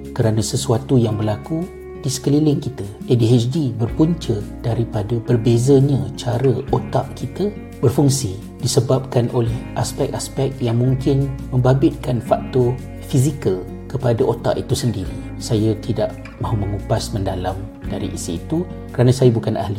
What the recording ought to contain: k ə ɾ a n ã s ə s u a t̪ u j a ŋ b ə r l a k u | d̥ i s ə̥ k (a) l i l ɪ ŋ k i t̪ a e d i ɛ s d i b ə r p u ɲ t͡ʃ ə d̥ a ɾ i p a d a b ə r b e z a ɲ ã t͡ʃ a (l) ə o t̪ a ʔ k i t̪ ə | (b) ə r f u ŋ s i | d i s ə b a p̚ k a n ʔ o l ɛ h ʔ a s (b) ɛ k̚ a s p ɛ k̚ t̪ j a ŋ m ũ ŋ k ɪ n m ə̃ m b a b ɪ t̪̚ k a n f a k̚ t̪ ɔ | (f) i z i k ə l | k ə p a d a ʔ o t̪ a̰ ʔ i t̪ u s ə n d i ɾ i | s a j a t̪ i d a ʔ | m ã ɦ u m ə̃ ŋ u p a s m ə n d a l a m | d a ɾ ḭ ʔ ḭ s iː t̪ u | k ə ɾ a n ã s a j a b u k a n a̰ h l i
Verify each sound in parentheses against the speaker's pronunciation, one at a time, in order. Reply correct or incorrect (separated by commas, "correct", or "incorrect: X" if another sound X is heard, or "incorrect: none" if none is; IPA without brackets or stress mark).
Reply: incorrect: ə, incorrect: ɾ, correct, incorrect: p, correct